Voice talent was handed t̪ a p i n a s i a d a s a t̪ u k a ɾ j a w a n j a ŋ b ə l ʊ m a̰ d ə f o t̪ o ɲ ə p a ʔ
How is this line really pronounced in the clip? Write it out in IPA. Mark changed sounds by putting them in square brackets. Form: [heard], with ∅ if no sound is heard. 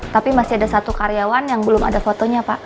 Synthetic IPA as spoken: t̪ a p i [m] a s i a d a s a t̪ u k a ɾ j a w a n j a ŋ b ə l ʊ m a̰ d [a] f o t̪ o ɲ [a] p a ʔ